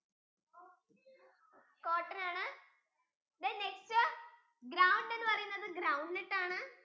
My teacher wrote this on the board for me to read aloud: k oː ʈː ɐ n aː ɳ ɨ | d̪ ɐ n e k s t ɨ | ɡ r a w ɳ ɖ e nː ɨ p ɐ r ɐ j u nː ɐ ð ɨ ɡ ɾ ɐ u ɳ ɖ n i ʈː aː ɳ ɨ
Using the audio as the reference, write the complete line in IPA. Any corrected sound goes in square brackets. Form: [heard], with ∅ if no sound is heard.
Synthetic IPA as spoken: k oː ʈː ɐ n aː ɳ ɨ | d̪ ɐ n e k s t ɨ | ɡ [ɾ] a w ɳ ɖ e nː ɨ p ɐ r ɐ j u nː ɐ ð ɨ ɡ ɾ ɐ [w] ɳ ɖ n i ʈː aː ɳ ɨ